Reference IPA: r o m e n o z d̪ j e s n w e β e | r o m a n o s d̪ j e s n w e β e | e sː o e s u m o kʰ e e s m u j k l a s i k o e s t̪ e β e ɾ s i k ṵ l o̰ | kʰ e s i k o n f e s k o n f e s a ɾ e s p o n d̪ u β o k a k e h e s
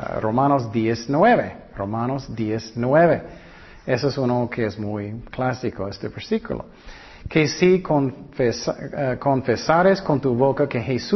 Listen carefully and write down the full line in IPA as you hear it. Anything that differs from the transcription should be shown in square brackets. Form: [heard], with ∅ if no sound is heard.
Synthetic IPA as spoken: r o m [a] n o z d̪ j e s n w e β e | r o m a n o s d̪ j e s n w e β e | e [s] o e s u [n] o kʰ e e s m u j k l a s i k o e s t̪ e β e ɾ s i k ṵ l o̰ | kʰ e s i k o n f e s k o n f e s a ɾ e s [k] o n [t̪] u β o k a k e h e s